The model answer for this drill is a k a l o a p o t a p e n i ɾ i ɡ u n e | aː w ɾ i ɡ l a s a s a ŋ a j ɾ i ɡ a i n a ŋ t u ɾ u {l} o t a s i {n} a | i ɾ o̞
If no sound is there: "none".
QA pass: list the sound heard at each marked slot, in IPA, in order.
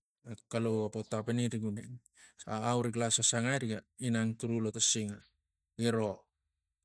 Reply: l, ŋ

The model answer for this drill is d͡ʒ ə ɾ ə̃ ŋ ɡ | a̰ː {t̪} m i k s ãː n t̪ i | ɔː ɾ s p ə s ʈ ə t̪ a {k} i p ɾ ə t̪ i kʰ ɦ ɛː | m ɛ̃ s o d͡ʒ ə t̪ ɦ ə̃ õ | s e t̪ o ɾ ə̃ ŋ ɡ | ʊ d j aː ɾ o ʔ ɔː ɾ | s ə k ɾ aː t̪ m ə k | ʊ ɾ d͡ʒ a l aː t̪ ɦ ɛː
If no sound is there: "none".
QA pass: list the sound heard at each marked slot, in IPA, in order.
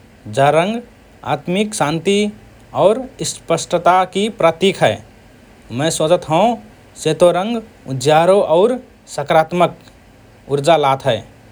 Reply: t̪, k

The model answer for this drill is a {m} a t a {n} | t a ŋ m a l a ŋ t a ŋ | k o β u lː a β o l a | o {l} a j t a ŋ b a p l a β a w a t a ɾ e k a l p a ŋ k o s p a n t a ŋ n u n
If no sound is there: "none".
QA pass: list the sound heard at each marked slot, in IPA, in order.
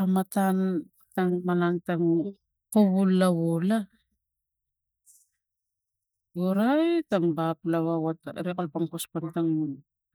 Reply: m, n, ɾ

